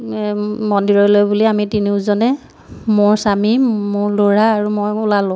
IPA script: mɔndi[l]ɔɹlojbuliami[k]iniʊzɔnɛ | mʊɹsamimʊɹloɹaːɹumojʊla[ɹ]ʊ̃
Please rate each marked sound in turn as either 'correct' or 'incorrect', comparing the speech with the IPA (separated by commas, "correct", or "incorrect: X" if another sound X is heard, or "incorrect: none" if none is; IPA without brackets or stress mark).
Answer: incorrect: ɹ, incorrect: t, incorrect: l